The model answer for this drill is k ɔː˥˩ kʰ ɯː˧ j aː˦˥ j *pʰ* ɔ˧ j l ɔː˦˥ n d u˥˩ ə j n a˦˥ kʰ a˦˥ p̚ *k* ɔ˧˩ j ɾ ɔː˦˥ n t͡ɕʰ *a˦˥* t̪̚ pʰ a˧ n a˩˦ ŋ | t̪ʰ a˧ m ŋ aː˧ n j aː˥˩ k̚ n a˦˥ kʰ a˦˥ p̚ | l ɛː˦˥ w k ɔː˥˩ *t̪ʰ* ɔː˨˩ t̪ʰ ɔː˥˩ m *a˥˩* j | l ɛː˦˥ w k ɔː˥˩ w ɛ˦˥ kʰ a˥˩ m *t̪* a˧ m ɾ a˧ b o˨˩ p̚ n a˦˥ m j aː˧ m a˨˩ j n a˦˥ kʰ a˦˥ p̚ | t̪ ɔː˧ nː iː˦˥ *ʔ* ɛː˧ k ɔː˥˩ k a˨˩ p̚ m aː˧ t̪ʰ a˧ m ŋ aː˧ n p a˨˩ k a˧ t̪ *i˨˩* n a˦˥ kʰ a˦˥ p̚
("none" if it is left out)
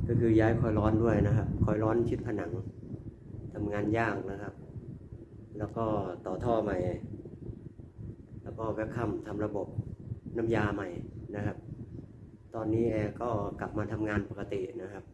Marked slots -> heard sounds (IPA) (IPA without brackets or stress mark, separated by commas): kʰ, kʰ, i˦˥, t̪, a˨˩, t̪ʰ, ʔ, i˨˩